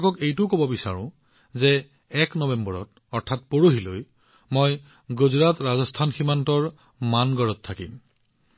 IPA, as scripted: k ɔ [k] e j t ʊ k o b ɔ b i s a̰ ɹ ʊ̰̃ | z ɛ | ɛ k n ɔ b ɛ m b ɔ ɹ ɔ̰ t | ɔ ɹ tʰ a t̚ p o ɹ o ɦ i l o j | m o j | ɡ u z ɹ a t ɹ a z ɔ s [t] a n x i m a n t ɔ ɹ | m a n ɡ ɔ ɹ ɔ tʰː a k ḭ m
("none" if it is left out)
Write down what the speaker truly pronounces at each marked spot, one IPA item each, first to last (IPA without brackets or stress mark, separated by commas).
k, tʰ